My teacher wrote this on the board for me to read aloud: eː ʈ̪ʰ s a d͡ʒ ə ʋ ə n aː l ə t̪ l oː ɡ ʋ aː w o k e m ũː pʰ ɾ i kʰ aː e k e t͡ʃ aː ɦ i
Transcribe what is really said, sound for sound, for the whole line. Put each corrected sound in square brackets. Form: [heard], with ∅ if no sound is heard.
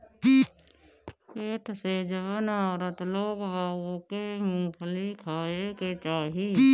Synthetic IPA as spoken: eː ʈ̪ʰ s [e] d͡ʒ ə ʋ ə n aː [ɾ] ə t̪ l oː ɡ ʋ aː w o k e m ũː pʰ [l] i kʰ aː e k e t͡ʃ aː ɦ i